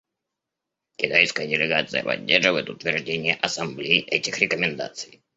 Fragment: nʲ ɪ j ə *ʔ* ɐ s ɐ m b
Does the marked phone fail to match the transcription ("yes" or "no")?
no